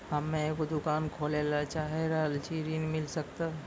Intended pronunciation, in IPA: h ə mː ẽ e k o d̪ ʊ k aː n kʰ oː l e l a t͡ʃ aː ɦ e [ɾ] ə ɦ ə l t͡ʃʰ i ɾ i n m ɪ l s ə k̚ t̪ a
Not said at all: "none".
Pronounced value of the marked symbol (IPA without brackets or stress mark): ɾ